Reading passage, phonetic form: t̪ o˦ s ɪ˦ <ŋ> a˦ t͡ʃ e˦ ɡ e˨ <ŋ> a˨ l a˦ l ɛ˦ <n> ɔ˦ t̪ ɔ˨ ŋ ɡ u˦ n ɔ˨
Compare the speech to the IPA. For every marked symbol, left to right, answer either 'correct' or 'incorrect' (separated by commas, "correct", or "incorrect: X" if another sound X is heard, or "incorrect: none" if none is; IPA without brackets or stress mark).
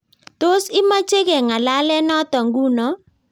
incorrect: m, correct, correct